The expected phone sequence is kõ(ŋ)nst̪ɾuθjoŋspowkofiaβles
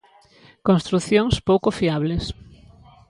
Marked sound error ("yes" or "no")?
yes